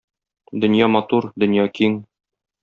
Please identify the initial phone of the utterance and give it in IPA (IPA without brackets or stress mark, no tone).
d̪